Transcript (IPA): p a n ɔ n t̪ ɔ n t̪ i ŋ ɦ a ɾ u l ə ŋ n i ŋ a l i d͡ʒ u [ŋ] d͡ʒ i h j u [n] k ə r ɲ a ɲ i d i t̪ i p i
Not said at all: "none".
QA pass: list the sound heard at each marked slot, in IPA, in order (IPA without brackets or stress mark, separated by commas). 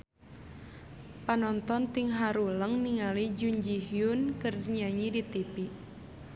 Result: ɲ, n